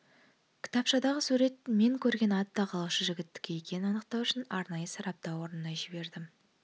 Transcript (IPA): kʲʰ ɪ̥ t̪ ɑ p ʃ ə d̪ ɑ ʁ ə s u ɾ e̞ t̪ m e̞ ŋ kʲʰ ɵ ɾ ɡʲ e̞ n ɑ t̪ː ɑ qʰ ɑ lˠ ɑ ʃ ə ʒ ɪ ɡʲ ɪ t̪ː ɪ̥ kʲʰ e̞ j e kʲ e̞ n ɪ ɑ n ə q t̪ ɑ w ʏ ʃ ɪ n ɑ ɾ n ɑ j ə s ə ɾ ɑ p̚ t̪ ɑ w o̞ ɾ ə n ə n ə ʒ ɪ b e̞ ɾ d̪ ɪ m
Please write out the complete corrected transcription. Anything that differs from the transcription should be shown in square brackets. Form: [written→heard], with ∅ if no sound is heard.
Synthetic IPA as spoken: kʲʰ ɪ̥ t̪ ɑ p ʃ [ə→ɑ] d̪ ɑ ʁ ə s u ɾ e̞ t̪ m e̞ ŋ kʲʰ ɵ ɾ ɡʲ e̞ n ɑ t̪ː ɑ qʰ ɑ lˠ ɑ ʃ ə ʒ ɪ ɡʲ ɪ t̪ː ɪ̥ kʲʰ e̞ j e kʲ e̞ n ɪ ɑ n ə q t̪ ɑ w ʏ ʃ ɪ n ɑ ɾ n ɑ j ə s [ə→ɑ] ɾ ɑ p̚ t̪ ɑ w o̞ ɾ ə n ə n [ə→ɑ] ʒ ɪ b e̞ ɾ d̪ ɪ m